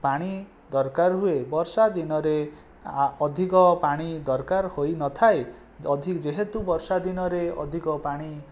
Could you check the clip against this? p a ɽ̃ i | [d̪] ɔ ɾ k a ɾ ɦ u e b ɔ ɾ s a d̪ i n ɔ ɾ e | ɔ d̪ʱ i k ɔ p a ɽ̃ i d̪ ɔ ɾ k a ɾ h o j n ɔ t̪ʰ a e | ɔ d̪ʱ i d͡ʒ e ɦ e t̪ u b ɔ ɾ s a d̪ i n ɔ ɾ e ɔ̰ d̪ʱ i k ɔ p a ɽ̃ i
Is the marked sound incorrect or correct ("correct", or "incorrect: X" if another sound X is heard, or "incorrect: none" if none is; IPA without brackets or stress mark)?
correct